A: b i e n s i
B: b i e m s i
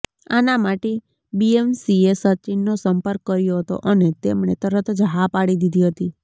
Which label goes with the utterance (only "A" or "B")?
B